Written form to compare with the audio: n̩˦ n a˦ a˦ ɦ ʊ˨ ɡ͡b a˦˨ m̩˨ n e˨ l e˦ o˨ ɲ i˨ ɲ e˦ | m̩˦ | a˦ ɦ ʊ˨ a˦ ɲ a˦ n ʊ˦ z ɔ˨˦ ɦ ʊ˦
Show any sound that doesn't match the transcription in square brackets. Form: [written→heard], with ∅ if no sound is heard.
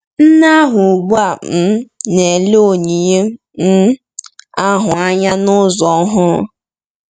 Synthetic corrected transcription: n̩˦ n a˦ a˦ ɦ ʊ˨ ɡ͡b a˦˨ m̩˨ n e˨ l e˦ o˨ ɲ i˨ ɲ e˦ | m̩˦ | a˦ ɦ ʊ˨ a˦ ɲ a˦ n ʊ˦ z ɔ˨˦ ɦ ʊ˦

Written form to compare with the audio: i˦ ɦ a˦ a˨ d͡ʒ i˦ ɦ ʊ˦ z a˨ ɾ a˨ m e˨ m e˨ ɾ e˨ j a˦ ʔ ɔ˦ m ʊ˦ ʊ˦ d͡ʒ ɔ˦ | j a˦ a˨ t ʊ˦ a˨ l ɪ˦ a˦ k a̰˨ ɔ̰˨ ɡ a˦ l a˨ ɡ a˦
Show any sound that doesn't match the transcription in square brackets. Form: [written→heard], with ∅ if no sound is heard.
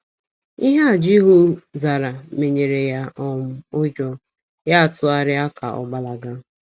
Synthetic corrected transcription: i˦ ɦ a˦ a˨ d͡ʒ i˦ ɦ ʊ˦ z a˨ ɾ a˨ m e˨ [m→ɲ] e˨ ɾ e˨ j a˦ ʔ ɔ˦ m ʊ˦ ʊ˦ d͡ʒ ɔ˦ | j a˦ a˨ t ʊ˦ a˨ [l→ɾ] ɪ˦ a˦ k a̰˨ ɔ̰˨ [ɡ→ɡ͡b] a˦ l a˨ ɡ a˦

